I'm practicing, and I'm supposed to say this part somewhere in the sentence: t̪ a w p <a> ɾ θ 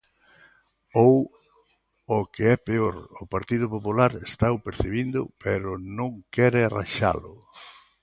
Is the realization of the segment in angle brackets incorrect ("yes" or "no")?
yes